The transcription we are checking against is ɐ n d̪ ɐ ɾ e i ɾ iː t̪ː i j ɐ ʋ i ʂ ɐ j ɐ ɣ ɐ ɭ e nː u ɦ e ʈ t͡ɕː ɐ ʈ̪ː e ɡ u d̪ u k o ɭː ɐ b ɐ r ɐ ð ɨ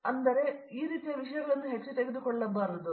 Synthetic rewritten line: ɐ n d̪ ɐ ɾ e iː ɾ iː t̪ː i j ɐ ʋ i ʂ ɐ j ɐ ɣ ɐ ɭ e nː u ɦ e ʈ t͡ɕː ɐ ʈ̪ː e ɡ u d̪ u k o ɭː ɐ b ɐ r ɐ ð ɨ